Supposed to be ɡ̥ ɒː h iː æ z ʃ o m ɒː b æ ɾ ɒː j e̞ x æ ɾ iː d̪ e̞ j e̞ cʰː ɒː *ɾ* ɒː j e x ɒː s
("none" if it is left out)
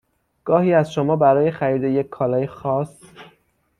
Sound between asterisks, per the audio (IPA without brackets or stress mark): l